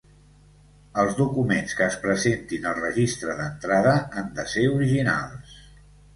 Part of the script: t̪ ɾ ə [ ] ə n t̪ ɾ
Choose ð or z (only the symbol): ð